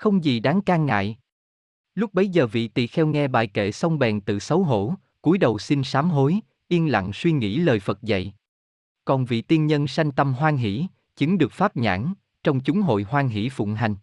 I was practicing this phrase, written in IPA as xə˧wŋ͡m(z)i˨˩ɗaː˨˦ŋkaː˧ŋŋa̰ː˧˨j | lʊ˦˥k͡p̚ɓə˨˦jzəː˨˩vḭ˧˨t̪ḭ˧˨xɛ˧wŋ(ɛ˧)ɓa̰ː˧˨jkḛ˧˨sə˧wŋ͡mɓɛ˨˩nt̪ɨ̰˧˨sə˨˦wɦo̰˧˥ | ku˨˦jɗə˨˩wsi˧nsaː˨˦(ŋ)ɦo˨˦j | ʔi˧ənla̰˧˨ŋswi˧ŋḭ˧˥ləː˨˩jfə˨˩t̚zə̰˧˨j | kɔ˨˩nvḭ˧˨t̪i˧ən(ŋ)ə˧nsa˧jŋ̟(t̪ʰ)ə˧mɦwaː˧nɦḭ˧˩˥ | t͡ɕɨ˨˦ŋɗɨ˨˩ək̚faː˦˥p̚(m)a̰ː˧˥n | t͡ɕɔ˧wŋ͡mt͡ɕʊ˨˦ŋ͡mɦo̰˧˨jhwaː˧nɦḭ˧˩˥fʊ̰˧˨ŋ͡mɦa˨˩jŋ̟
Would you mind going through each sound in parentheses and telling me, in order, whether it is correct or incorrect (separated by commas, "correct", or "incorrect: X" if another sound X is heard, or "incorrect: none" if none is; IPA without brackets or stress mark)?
correct, correct, incorrect: m, incorrect: ɲ, incorrect: t̪, incorrect: ɲ